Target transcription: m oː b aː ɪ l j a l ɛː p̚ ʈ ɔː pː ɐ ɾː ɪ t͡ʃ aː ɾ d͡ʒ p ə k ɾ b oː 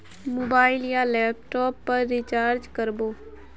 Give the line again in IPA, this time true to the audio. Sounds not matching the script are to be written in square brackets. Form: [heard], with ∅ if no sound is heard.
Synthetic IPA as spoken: m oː b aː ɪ l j a l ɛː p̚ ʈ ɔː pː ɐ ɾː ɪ t͡ʃ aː ɾ d͡ʒ [k] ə [∅] ɾ b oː